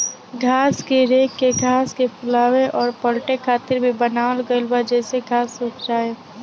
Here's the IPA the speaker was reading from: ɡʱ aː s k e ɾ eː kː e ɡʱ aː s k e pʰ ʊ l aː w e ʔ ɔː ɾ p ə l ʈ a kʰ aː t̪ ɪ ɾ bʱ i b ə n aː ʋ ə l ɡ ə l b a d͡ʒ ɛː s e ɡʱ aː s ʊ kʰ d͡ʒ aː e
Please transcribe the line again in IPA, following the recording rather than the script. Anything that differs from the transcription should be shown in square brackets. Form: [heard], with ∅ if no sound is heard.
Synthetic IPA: ɡʱ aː s k e ɾ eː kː e ɡʱ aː s k e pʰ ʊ l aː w e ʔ ɔː ɾ p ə l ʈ [e] kʰ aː t̪ ɪ ɾ bʱ i b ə n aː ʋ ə l ɡ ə l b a d͡ʒ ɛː s e ɡʱ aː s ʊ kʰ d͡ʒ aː e